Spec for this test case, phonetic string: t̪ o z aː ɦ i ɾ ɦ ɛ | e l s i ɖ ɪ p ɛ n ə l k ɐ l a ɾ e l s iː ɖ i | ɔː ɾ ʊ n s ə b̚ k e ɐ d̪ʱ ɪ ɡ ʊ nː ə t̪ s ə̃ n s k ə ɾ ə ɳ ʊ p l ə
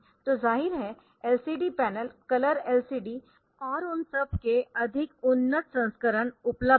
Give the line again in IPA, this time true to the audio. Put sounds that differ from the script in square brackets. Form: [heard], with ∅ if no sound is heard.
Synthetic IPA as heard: t̪ o z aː ɦ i ɾ ɦ ɛ | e l s i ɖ [i] p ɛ n ə l k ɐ l [ə] ɾ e l s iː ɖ i | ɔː ɾ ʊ n s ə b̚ k e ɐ d̪ʱ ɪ [k] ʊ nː ə t̪ s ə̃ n s k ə ɾ ə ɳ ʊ p l ə